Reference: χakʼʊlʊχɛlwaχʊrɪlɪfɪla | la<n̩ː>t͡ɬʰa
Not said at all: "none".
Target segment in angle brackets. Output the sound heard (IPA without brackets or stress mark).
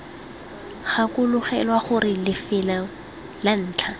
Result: n̩ː